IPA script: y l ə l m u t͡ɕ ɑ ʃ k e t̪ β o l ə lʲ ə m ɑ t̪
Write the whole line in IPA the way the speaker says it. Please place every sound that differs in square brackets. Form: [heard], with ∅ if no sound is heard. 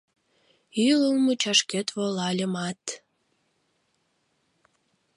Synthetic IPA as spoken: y l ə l m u t͡ɕ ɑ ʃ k e t̪ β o l [ɑ] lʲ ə m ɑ t̪